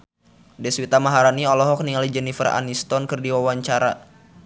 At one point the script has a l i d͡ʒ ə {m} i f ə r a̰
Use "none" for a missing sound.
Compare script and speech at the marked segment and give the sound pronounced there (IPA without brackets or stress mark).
n